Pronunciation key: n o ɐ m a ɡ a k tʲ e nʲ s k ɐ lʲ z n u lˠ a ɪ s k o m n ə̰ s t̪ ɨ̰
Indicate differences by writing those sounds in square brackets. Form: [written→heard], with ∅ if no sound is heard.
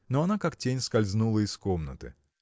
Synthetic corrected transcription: n o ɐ [m→n] a [ɡ→k] a k tʲ e nʲ s k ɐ lʲ z n u lˠ [a→ə] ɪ s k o m n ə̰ [s→∅] t̪ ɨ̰